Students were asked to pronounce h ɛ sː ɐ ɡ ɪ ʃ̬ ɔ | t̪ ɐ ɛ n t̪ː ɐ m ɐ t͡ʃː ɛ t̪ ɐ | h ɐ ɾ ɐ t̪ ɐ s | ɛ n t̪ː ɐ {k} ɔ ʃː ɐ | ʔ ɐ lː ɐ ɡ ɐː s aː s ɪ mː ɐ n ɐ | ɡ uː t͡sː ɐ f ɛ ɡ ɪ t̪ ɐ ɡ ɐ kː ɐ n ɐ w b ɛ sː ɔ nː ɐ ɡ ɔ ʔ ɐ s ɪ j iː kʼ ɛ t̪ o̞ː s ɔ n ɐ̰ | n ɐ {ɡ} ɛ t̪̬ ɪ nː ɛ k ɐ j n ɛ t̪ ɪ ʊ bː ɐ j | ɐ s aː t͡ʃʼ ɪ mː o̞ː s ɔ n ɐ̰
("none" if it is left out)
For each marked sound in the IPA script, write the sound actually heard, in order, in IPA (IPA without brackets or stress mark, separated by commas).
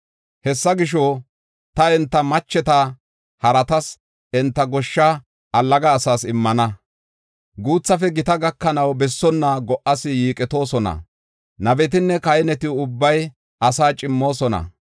ɡ, b